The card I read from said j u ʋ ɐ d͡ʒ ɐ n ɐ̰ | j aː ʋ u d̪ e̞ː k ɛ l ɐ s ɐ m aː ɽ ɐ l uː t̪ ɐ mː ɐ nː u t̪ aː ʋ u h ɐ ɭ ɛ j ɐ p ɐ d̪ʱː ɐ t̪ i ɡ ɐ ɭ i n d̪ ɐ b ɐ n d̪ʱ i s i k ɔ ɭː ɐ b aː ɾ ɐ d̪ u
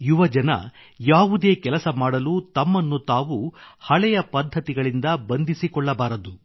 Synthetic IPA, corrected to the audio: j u ʋ ɐ d͡ʒ ɐ n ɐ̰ | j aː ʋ u d̪ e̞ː k ɛ l ɐ s ɐ m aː ɽ ɐ l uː t̪ ɐ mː ɐ nː u t̪ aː ʋ u h ɐ ɭ ɛ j ɐ p ɐ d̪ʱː ɐ t̪ i ɡ ɐ ɭ i n d̪ ɐ b ɐ n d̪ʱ i s i k ɔ ɭː ɐ b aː ɾ ɐ d̪ u